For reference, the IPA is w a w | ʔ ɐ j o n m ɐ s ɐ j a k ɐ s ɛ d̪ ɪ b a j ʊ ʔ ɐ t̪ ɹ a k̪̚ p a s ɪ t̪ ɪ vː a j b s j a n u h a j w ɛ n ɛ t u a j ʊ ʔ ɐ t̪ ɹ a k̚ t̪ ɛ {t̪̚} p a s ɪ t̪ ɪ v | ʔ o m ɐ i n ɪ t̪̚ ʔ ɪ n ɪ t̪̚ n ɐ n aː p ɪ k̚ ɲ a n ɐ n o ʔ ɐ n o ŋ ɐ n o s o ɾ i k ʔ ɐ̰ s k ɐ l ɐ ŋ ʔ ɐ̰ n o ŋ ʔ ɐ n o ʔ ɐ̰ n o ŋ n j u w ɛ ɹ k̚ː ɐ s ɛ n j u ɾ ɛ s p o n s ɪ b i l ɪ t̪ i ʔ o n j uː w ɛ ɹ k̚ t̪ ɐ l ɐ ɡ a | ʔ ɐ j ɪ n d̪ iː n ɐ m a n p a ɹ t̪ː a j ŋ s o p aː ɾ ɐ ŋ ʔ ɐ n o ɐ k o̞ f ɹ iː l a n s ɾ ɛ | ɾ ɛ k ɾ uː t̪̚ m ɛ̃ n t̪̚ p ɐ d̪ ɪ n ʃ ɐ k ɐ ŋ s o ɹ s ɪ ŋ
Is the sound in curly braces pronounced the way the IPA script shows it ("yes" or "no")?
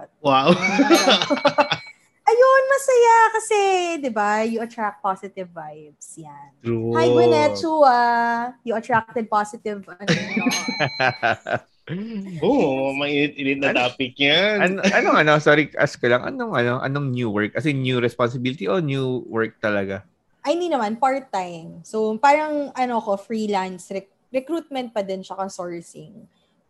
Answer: no